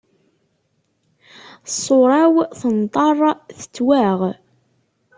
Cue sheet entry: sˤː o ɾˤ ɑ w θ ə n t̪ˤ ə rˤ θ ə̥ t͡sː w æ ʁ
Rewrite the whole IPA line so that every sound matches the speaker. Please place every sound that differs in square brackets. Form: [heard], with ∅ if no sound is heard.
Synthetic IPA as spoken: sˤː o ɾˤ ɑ w θ ə n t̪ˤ [ɑ] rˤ θ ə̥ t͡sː w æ ʁ